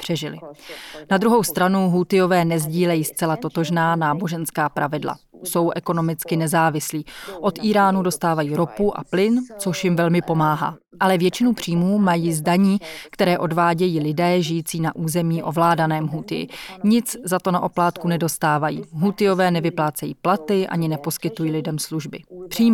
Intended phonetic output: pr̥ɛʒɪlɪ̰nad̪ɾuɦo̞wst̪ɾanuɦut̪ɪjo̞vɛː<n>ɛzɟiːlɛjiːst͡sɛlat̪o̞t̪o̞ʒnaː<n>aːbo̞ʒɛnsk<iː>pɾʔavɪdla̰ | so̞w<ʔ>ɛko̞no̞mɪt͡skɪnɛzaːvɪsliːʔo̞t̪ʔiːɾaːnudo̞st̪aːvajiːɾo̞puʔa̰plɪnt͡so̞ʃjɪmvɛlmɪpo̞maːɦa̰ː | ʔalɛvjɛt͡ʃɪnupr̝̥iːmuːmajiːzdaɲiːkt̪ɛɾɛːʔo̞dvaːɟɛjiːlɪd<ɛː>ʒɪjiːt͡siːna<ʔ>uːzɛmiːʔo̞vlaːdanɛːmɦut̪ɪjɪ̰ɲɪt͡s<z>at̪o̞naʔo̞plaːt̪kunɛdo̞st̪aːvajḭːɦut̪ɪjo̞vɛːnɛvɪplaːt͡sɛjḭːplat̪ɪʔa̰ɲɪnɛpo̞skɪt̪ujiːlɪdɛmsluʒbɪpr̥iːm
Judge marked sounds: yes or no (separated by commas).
yes, yes, no, yes, yes, yes, yes